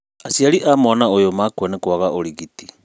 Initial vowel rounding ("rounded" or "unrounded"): unrounded